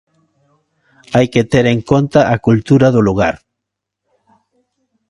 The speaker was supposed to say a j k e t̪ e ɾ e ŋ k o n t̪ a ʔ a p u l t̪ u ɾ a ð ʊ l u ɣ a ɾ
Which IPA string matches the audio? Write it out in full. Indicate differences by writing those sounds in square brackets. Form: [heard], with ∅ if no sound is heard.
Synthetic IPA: a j k e t̪ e ɾ e ŋ k o n t̪ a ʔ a [k] u l t̪ u ɾ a ð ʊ l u ɣ a ɾ